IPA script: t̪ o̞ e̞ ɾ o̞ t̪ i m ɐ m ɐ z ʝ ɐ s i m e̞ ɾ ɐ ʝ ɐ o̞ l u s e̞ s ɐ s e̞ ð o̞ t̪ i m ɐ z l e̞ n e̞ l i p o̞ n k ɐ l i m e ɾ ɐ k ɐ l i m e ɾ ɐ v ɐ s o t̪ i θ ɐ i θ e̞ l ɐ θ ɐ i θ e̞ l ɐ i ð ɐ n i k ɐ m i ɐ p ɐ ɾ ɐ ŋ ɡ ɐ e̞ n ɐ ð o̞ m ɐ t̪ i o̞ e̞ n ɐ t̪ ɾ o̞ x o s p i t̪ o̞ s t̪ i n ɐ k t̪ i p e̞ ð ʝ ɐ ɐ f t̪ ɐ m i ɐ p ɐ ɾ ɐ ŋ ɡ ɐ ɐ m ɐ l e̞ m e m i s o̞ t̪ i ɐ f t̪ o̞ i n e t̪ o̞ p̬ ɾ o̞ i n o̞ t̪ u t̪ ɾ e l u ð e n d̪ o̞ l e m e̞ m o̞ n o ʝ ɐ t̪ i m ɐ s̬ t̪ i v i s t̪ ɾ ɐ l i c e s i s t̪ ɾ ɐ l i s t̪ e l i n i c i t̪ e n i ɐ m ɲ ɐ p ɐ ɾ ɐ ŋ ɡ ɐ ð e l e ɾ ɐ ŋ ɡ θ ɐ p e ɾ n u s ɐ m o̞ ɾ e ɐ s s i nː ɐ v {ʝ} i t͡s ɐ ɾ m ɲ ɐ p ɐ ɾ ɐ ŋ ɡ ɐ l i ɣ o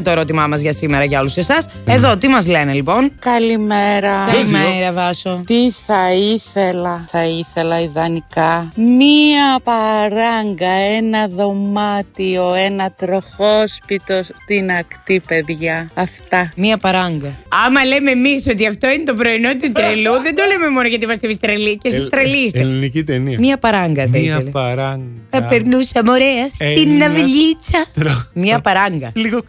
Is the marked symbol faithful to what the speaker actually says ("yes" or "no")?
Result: no